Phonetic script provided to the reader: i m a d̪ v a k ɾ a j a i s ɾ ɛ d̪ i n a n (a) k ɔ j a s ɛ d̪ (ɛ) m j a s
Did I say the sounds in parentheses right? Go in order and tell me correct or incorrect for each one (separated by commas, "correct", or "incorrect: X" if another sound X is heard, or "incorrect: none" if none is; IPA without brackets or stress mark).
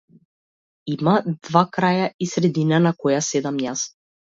correct, incorrect: a